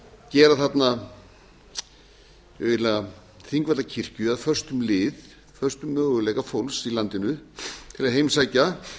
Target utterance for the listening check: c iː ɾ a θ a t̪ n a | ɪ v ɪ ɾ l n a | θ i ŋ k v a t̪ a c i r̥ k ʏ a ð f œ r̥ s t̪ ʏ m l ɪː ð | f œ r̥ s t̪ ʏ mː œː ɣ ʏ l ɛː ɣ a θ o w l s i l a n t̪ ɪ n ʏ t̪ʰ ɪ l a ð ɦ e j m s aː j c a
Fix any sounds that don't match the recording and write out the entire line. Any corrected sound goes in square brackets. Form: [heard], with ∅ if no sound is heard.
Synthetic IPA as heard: c [ɛː] ɾ a θ a t̪ n a | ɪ v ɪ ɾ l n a | θ i ŋ k v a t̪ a [cʰ] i r̥ [c] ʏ a ð f œ r̥ s t̪ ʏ m l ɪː ð | f œ r̥ s t̪ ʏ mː œː ɣ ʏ l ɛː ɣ a [f] o w l s i l a n t̪ ɪ n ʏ t̪ʰ ɪ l a ð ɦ e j m s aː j c a